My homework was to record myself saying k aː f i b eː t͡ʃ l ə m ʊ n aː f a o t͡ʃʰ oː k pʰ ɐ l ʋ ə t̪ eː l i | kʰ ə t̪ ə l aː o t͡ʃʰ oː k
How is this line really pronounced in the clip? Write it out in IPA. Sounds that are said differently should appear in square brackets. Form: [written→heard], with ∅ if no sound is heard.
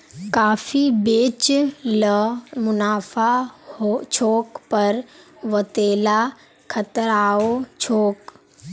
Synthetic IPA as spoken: k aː f i b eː t͡ʃ l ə m ʊ n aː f a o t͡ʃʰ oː k [pʰ→p] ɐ [l→ɾ] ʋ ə t̪ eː l [i→a] | kʰ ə t̪ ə [l→ɾ] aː o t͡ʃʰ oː k